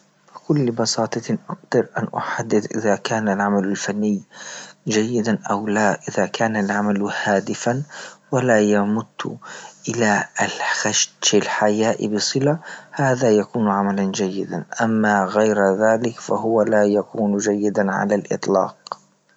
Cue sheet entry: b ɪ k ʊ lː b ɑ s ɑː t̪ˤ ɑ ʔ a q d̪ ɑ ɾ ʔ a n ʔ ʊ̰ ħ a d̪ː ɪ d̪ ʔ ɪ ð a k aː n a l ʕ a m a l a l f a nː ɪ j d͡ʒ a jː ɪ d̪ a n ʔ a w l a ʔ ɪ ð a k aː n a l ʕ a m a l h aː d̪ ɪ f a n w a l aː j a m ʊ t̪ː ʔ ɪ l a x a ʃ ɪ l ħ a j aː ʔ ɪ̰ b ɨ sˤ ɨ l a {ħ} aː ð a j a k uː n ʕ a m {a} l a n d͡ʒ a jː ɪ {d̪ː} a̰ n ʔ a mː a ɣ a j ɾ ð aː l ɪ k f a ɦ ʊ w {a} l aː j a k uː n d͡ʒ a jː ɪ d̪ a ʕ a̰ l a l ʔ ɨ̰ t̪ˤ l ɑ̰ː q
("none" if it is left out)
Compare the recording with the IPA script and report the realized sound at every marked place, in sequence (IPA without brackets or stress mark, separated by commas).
h, a, d̪, a